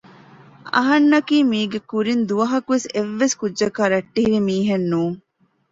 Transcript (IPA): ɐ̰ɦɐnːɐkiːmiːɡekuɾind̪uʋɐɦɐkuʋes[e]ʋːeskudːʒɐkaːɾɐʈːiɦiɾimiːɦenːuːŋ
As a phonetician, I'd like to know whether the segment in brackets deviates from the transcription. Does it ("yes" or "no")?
no